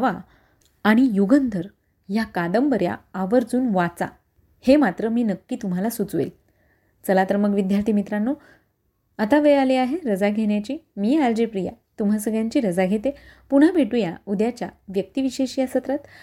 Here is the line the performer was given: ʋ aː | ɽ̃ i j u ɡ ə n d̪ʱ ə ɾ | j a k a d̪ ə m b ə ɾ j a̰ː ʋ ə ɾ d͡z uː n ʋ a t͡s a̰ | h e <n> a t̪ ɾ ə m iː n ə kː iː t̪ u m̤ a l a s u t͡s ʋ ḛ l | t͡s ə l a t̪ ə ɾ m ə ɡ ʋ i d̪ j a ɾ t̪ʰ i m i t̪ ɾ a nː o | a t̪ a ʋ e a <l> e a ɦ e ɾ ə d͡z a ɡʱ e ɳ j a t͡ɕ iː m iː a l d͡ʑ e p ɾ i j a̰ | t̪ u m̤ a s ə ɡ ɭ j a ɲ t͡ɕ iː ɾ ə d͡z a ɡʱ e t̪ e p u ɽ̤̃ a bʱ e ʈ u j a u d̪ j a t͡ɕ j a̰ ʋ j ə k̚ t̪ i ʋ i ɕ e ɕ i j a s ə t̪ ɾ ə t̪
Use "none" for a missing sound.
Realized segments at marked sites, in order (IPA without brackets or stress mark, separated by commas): m, l